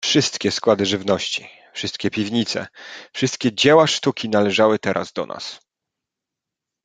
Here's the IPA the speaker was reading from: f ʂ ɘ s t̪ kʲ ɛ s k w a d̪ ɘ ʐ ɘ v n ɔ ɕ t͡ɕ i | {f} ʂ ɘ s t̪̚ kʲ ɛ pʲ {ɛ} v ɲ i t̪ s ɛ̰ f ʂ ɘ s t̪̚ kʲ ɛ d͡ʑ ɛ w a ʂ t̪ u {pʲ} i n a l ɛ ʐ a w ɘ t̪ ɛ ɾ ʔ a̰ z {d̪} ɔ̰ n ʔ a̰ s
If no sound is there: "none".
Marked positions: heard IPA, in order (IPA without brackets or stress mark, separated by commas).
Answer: f, i, kʲ, d̪